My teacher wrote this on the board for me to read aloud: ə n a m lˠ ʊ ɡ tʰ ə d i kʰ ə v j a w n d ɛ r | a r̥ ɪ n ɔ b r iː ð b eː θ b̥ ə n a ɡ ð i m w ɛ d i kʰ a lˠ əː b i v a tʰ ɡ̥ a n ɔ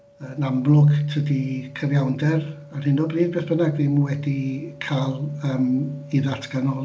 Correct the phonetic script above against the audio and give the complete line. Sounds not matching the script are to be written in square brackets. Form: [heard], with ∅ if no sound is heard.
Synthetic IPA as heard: ə n a m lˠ ʊ ɡ tʰ ə d i kʰ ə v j a w n d ɛ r | a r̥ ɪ n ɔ b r iː ð b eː θ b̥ ə n a ɡ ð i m w ɛ d i kʰ a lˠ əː [m] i [ð] a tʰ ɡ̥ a n ɔ